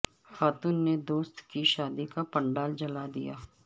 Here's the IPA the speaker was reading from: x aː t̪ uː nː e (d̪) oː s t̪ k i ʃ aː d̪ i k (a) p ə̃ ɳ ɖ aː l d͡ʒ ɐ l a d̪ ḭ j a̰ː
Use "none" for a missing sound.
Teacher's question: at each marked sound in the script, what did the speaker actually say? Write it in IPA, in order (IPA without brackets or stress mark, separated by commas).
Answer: d̪, a